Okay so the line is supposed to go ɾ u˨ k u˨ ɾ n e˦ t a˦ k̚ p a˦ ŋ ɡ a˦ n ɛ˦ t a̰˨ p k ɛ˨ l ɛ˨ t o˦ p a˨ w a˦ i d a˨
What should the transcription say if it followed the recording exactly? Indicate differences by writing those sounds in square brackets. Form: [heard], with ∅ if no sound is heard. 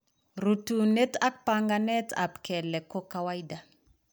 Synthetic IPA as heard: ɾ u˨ [t] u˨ [∅] n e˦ t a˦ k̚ p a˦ ŋ ɡ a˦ n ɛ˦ t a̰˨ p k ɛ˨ l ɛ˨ [k] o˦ [k] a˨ w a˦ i d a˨